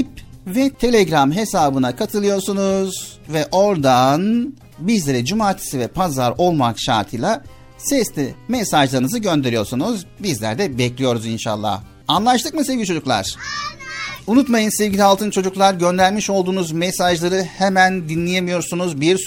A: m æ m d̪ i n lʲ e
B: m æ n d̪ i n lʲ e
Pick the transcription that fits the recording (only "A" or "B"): B